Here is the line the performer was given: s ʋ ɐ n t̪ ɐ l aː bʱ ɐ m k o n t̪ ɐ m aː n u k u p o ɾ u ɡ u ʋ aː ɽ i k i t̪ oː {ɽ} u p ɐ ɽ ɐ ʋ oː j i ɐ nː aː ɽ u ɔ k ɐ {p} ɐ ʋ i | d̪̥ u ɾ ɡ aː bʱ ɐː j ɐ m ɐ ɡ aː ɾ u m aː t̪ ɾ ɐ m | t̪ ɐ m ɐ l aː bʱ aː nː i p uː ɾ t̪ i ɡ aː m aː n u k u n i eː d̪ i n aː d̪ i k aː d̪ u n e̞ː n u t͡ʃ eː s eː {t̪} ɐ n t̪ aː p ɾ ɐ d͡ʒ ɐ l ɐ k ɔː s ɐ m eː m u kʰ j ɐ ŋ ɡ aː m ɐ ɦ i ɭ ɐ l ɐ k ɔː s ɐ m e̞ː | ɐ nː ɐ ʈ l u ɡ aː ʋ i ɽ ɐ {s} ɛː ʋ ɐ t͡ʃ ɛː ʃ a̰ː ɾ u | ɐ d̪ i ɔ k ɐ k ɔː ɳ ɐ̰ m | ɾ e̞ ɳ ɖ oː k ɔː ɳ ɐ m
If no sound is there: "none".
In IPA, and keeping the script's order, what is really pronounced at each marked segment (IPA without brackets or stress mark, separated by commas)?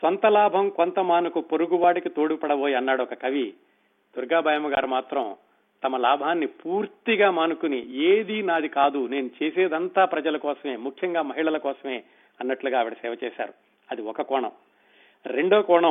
ɽ, k, d̪, s